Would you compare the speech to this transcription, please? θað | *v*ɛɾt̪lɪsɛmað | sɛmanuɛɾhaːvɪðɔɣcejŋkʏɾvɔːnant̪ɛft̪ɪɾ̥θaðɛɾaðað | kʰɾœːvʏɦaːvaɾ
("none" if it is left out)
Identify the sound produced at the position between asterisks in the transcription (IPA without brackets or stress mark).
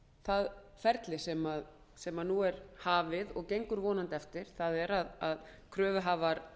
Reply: f